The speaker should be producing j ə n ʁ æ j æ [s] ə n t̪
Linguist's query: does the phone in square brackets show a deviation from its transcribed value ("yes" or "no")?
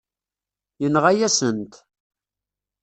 no